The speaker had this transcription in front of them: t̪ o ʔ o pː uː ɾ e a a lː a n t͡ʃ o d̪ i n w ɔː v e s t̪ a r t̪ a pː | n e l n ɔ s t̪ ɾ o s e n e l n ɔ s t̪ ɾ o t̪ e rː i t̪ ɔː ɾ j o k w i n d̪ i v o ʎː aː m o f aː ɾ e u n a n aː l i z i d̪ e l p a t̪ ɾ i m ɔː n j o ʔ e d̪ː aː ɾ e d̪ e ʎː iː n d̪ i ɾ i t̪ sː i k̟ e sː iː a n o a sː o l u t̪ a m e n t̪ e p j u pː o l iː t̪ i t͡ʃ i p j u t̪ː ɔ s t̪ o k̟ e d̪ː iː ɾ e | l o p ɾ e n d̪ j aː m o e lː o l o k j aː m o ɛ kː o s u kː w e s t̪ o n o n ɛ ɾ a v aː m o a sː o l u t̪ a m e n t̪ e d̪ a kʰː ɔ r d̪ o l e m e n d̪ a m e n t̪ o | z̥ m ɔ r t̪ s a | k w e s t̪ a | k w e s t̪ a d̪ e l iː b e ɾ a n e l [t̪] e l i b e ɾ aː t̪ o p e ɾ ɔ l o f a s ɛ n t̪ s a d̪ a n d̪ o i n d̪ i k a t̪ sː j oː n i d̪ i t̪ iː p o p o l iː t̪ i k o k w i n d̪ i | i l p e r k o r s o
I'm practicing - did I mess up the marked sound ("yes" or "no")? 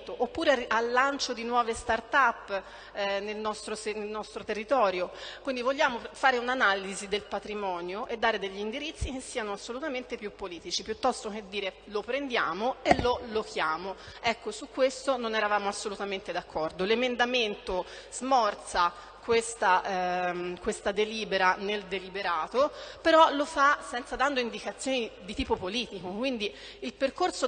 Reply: yes